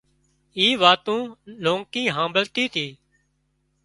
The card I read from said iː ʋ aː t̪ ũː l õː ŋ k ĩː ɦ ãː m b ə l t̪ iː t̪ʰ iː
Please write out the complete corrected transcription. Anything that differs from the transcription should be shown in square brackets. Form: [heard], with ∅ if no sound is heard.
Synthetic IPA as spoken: iː ʋ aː t̪ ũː l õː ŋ k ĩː ɦ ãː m b ə l t̪ iː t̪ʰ iː